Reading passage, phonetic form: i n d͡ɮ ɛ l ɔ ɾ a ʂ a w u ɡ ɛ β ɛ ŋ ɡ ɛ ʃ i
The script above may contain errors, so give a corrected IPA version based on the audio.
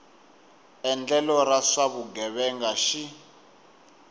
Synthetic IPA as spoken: ɛ n d͡ɮ ɛ l ɔ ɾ a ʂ a β u ɡ ɛ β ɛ ŋ ɡ a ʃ i